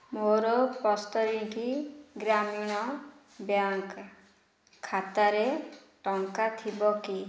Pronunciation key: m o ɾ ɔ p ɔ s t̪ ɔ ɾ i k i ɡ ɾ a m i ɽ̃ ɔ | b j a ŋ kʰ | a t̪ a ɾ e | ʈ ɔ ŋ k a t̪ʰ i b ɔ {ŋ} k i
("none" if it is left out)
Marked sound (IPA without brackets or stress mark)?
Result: none